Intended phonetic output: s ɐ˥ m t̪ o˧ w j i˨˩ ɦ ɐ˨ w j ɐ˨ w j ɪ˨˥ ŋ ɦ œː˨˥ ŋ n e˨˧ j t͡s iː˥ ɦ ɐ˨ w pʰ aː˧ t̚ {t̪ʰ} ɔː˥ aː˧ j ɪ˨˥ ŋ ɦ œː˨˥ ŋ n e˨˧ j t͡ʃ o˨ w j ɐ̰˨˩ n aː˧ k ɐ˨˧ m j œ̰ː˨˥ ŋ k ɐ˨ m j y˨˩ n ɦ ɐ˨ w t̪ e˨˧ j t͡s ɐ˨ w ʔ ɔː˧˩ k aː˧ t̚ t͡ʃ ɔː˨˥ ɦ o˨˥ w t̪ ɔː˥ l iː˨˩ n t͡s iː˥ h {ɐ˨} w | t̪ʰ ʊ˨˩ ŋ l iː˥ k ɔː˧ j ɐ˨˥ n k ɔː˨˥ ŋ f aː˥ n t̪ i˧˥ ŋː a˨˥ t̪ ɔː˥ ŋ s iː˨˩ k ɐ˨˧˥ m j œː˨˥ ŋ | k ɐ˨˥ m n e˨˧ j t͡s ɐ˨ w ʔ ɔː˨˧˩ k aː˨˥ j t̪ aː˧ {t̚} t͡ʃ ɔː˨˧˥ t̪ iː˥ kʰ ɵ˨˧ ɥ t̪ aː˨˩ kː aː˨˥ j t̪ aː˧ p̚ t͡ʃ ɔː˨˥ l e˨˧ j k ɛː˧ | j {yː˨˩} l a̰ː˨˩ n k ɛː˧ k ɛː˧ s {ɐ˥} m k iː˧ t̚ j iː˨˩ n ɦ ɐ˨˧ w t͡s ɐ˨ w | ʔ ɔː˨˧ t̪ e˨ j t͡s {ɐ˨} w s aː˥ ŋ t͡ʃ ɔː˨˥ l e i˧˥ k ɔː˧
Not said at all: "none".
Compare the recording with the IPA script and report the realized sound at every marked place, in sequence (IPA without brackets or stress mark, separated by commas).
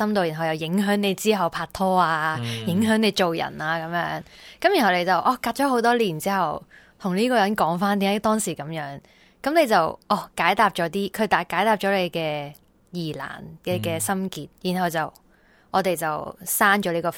t̪ʰ, ɐ˨, p̚, iː˨˩, ɐ˥, ɐ˨